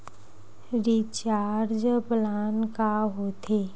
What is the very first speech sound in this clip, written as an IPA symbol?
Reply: ɾ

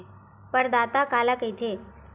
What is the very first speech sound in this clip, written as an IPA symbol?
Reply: p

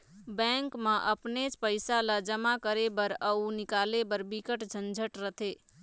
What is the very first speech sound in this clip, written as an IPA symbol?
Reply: b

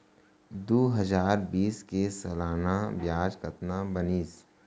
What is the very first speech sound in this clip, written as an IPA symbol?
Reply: d̪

